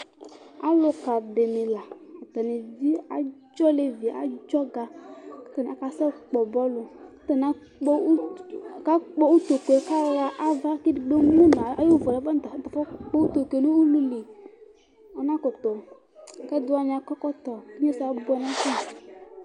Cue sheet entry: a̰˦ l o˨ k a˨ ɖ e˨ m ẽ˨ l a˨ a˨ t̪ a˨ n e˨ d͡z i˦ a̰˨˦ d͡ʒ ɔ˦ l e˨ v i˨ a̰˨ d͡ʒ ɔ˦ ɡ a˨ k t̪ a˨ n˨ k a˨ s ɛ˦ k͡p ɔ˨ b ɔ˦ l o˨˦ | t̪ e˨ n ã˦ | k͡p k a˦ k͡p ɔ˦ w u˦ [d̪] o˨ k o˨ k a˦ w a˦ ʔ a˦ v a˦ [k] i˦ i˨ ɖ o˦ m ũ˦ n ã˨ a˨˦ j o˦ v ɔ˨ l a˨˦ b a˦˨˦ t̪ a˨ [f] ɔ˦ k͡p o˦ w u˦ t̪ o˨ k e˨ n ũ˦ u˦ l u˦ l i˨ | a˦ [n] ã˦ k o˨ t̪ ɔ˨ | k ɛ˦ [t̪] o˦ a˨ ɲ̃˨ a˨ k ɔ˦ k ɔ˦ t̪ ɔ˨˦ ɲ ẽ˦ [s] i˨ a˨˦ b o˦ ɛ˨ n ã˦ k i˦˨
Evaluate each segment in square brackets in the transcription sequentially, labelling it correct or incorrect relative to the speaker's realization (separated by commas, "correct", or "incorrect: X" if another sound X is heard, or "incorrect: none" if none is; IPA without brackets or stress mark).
incorrect: t̪, correct, correct, correct, incorrect: d̪, correct